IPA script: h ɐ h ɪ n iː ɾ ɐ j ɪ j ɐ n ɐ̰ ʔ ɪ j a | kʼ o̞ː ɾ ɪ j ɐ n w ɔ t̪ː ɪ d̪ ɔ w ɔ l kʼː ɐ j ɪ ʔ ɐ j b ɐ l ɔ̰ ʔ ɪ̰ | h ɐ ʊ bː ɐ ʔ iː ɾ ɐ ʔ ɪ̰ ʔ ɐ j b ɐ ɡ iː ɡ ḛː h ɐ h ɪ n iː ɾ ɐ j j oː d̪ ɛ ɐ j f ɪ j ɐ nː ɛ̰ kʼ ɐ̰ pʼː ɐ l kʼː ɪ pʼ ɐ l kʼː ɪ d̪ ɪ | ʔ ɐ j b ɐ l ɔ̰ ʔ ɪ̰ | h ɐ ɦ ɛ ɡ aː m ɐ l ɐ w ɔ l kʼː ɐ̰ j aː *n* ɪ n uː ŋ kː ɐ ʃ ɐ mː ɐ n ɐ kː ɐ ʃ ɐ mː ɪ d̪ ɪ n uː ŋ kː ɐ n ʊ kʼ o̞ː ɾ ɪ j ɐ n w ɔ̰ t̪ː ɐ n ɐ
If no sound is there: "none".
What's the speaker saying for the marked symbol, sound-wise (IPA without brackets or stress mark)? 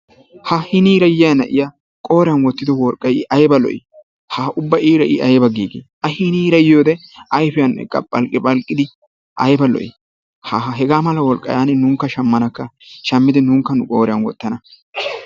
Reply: n